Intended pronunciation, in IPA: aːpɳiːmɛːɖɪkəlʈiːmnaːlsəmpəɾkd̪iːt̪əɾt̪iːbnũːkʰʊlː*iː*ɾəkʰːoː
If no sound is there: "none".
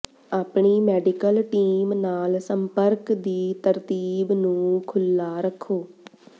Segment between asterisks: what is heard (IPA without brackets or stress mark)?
aː